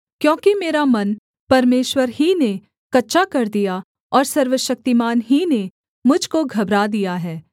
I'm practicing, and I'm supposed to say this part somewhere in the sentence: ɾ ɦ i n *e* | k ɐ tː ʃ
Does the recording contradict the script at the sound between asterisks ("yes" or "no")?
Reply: no